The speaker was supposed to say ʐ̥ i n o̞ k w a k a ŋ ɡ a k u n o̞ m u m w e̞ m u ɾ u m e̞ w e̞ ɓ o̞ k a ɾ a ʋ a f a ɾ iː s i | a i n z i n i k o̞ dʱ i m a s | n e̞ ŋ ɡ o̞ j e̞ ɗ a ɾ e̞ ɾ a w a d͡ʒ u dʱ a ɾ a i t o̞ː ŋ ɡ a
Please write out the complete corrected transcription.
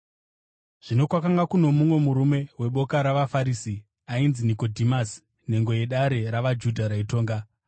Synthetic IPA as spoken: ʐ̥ i n o̞ k w a k a ŋ ɡ a k u n o̞ m u m w e̞ m u ɾ u m e̞ w e̞ ɓ o̞ k a ɾ a ʋ a f a ɾ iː s i | a i n z i n i k o̞ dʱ i m a s | n e̞ ŋ ɡ o̞ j e̞ ɗ a ɾ e̞ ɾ a ʋ a d͡ʒ u dʱ a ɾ a i t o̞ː ŋ ɡ a